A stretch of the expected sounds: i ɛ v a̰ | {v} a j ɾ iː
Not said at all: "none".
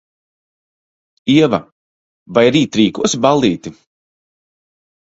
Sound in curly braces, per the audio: v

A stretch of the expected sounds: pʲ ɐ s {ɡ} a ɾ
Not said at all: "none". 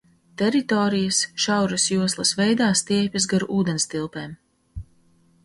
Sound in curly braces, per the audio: ɡ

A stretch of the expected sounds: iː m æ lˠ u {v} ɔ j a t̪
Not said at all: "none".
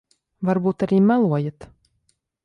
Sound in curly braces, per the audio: none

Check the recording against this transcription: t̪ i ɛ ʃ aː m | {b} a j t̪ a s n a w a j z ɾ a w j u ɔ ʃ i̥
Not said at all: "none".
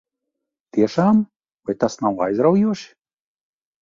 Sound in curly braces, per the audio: v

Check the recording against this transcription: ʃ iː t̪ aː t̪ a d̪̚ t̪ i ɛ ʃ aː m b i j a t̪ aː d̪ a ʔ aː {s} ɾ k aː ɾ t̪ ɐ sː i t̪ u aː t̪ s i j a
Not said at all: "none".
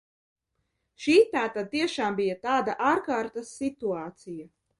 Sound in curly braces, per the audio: none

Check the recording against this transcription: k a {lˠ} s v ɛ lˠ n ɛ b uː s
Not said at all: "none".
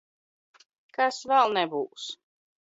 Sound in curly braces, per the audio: none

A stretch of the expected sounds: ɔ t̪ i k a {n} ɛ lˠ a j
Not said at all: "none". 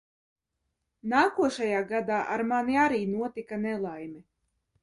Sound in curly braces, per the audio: n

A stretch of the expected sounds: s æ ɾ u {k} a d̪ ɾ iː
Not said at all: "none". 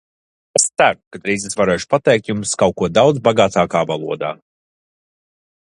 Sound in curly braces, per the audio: k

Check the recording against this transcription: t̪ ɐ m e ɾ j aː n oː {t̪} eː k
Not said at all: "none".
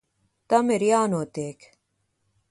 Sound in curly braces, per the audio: t̪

